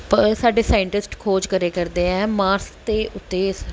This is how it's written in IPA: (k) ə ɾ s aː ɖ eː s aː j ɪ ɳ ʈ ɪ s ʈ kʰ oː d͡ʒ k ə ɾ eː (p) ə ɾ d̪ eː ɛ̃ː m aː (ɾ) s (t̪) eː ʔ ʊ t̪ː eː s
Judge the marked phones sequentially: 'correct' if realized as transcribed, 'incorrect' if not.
incorrect: p, incorrect: k, correct, correct

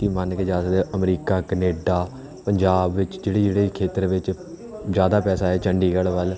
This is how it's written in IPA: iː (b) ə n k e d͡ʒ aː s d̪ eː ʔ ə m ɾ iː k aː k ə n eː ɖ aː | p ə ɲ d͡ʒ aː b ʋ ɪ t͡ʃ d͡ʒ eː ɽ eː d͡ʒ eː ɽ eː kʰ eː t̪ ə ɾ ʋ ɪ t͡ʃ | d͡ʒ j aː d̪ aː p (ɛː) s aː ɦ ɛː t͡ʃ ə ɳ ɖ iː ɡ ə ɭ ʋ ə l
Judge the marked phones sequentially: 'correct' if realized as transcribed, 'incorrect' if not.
incorrect: m, correct

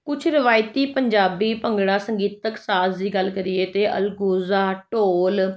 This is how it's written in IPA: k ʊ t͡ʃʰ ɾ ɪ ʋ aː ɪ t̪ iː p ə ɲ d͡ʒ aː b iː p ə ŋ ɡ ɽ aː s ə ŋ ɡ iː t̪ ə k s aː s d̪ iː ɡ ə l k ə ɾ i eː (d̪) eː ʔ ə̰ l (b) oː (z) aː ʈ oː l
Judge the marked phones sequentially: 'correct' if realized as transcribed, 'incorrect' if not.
incorrect: t̪, incorrect: ɡ, correct

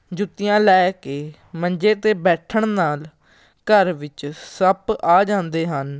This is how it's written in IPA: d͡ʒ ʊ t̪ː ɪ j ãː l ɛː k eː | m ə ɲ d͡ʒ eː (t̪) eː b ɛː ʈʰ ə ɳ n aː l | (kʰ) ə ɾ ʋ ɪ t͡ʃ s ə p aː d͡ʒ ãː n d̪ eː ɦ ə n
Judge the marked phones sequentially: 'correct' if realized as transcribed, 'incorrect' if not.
correct, incorrect: k

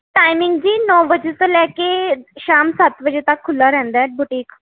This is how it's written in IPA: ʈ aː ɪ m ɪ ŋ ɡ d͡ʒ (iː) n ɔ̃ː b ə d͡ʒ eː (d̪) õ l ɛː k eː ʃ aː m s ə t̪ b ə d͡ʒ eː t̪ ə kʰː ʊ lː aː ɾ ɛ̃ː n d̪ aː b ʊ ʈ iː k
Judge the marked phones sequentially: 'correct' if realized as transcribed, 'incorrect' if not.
correct, incorrect: t̪

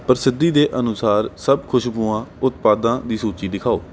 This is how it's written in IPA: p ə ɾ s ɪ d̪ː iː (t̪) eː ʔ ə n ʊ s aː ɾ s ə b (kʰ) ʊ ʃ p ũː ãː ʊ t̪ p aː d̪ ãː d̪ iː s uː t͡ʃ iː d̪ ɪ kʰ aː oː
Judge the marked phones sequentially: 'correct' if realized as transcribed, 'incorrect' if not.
incorrect: d̪, correct

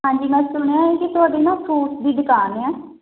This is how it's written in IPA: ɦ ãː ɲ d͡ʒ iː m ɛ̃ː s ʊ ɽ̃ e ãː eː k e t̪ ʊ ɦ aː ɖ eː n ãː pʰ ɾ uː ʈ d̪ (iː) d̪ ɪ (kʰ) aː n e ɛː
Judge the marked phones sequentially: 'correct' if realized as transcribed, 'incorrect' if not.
correct, incorrect: k

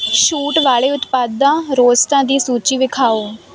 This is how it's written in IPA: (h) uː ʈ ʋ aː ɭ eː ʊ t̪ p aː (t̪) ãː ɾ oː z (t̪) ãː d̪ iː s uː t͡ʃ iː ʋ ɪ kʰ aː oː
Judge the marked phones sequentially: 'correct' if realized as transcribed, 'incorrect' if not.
incorrect: ʃ, incorrect: d̪, correct

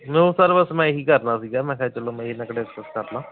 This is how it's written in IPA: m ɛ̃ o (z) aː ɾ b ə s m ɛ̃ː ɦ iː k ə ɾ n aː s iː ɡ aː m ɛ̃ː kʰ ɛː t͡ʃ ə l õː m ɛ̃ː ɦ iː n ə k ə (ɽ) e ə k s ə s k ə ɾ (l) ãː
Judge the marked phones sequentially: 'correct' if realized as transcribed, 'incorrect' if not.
incorrect: s, correct, correct

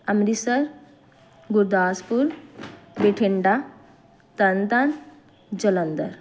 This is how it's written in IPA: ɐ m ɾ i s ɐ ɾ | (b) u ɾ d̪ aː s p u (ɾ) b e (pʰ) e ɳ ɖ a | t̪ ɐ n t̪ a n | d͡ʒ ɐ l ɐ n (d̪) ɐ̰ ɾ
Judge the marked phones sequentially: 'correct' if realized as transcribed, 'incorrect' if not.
incorrect: ɡ, correct, incorrect: ʈʰ, correct

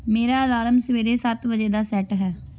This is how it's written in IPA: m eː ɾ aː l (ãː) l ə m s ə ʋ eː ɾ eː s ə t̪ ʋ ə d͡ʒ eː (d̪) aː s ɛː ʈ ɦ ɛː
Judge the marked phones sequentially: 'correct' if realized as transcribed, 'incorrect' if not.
incorrect: aː, correct

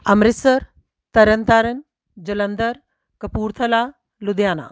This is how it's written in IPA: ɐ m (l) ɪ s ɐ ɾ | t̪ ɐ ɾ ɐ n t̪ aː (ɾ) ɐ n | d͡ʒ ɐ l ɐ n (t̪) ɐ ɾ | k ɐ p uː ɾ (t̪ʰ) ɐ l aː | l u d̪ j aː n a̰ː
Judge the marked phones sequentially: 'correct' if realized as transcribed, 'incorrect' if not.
incorrect: ɾ, correct, incorrect: d̪, correct

